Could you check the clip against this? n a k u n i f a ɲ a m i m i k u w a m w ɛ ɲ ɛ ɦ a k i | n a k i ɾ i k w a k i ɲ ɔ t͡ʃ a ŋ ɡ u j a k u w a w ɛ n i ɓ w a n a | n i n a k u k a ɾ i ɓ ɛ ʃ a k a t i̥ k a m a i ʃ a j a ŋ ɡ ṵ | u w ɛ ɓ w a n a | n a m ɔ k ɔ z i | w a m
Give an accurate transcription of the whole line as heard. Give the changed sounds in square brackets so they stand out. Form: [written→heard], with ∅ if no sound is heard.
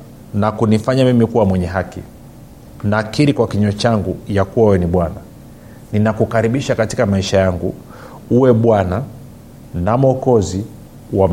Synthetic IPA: n a k u n i f a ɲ a m i m i k u w a m w ɛ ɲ ɛ ɦ a k i | n a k i ɾ i k w a k i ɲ ɔ t͡ʃ a ŋ ɡ u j a k u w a w ɛ n i ɓ w a n a | n i n a k u k a ɾ i ɓ [ɛ→i] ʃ a k a t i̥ k a m a i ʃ a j a ŋ ɡ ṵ | u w ɛ ɓ w a n a | n a m ɔ k ɔ z i | w a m